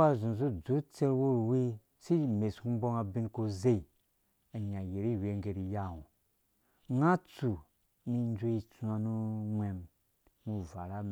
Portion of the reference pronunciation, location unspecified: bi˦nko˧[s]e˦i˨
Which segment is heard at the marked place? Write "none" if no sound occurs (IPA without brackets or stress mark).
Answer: z